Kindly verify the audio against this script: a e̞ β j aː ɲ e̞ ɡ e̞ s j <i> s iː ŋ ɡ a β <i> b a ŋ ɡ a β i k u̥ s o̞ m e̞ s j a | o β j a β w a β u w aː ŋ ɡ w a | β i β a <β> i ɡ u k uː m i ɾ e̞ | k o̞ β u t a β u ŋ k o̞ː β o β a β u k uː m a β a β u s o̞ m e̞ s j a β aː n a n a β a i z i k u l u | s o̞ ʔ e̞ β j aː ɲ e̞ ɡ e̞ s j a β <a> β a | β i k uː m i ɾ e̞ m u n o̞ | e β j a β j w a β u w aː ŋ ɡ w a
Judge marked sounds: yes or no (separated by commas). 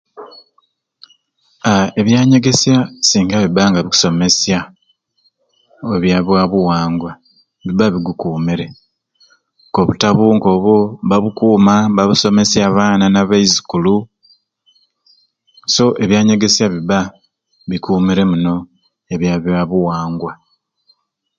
no, yes, yes, no